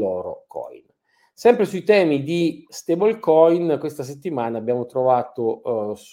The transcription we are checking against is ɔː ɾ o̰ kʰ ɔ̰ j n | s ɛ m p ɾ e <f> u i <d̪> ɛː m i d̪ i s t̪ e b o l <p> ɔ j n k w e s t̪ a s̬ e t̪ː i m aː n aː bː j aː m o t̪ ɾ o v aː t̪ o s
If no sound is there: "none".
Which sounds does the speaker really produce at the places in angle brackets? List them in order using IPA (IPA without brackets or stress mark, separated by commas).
s, t̪, k